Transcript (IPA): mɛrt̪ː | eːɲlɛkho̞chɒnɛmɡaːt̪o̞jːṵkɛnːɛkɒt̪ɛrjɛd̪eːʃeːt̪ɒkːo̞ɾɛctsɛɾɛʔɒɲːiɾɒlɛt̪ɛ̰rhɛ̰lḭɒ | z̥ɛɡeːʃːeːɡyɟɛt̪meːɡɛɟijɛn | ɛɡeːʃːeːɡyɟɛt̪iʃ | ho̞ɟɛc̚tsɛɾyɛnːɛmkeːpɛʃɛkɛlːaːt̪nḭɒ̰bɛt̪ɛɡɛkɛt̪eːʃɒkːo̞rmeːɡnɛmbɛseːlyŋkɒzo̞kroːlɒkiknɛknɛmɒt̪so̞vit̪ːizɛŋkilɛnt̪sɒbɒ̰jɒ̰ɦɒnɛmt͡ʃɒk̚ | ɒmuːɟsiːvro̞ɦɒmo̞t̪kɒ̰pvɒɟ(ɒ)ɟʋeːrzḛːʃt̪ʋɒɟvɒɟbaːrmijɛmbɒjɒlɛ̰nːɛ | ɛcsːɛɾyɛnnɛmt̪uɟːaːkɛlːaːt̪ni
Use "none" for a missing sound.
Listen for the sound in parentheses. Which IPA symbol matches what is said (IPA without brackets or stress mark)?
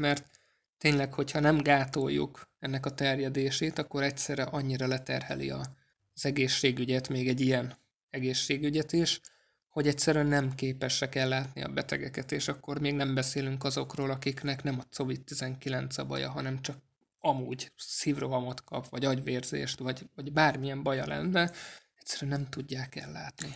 ɒ